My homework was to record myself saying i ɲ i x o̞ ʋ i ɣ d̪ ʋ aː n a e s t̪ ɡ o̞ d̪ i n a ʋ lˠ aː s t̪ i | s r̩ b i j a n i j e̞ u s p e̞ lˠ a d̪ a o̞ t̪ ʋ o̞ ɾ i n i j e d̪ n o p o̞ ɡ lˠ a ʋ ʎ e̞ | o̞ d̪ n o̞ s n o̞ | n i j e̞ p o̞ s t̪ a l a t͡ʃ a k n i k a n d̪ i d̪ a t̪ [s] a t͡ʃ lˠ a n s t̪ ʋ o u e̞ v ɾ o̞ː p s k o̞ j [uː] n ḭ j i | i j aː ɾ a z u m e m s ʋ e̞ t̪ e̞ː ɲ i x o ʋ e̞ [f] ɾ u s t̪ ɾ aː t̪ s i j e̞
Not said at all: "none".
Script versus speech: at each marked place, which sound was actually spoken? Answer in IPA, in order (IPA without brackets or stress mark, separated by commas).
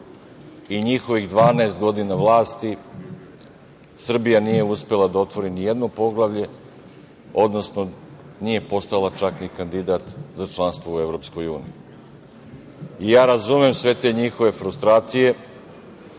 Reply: z, uː, f